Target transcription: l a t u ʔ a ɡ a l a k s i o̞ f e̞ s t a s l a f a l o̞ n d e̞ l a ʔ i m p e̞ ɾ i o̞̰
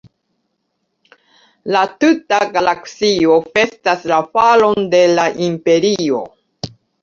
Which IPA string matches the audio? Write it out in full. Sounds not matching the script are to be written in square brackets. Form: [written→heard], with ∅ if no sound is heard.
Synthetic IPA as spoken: l a t u [ʔ→t] a ɡ a l a k s i o̞ f e̞ s t a s l a f a l o̞ n d e̞ l a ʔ i m p e̞ ɾ i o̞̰